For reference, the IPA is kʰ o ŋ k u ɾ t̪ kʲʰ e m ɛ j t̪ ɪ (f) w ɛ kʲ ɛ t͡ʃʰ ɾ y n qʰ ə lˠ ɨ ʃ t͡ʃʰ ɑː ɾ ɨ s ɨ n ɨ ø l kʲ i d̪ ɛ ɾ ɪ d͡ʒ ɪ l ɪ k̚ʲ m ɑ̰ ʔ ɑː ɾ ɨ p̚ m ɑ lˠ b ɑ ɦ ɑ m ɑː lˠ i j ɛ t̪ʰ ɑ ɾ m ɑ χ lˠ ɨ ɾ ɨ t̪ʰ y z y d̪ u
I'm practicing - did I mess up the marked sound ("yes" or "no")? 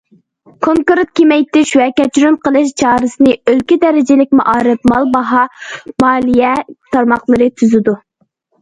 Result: yes